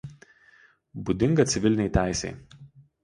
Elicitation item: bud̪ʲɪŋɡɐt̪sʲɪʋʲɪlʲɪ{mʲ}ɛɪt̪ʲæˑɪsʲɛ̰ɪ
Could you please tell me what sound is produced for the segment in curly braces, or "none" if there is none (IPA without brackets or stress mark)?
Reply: nʲ